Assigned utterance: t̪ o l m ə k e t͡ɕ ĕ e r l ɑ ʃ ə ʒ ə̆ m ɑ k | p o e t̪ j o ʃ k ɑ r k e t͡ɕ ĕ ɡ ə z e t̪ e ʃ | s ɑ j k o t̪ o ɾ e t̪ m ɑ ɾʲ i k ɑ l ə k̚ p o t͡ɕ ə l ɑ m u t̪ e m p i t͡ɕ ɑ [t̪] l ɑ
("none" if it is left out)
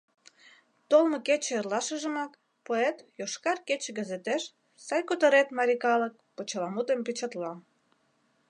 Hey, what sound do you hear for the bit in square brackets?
t̪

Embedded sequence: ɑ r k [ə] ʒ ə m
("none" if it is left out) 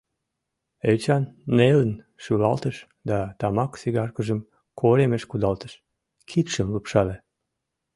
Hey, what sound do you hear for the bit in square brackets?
ə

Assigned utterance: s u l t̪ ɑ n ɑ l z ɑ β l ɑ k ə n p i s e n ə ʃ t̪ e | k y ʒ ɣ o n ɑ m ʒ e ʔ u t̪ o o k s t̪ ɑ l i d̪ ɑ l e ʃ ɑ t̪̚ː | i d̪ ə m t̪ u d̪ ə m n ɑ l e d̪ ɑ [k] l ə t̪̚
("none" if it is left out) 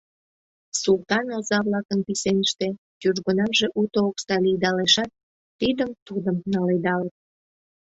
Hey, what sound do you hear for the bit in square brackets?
none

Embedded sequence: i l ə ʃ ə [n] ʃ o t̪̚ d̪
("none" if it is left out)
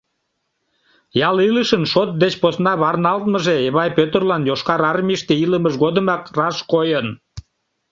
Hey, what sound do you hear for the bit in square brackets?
n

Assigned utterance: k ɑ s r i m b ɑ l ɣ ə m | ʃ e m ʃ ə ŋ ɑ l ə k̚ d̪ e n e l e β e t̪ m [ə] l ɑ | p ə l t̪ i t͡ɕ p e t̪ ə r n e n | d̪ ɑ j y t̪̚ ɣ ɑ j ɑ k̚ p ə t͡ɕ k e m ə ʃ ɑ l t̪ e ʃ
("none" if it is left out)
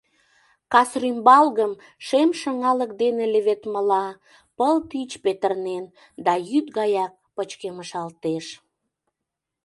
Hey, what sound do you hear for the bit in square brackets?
ə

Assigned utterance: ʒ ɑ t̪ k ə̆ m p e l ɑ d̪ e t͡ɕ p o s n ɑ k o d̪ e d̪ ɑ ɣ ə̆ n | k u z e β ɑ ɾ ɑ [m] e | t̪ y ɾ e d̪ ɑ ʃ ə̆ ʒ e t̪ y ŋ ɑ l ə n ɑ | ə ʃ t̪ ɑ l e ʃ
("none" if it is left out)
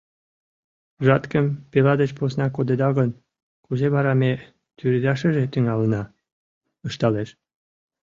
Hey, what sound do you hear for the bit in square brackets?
m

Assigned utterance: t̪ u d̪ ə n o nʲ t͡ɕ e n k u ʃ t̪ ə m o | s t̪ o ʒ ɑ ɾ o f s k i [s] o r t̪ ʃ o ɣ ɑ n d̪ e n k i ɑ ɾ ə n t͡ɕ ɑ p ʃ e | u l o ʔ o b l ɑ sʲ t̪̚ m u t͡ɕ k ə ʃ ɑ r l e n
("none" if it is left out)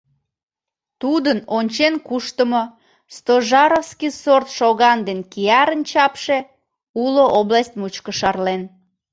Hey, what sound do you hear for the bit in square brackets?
s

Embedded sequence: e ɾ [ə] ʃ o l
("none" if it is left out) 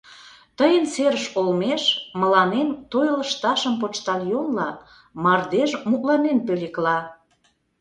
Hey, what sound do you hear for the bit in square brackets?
ə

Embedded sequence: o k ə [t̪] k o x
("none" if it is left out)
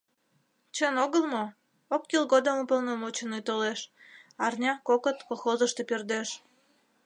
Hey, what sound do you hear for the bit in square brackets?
t̪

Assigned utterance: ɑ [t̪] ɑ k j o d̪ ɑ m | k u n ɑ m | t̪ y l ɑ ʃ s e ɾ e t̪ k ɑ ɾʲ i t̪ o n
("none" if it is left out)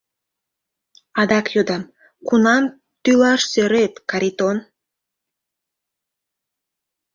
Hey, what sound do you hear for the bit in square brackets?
d̪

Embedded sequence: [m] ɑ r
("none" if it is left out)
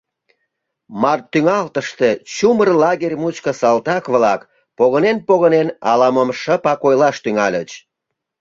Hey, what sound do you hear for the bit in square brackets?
m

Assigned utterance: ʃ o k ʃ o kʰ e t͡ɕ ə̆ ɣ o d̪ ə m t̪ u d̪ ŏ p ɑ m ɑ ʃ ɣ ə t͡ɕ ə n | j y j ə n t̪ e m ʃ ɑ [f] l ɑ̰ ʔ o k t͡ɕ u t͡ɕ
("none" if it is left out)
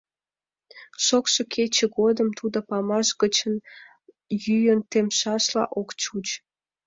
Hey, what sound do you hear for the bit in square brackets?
ʃ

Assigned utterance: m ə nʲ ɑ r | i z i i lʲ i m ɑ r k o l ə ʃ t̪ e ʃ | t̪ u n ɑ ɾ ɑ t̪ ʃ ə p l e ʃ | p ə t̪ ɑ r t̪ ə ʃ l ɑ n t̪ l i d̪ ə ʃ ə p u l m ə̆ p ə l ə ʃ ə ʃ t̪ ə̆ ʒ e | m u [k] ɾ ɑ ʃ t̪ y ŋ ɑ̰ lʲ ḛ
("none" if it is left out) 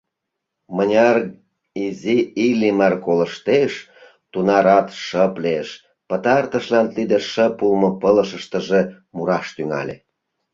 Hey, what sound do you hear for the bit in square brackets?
none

